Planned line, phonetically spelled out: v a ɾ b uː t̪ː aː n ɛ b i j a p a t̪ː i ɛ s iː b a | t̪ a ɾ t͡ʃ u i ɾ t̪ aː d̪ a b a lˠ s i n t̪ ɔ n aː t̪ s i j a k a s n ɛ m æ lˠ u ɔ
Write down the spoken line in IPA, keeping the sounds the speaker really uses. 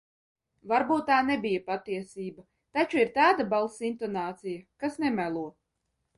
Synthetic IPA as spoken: v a ɾ b uː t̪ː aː n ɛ b i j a p a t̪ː i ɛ s iː b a | t̪ a t͡ʃ u i ɾ t̪ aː d̪ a b a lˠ s i n t̪ ɔ n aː t̪ s i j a k a s n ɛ m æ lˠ u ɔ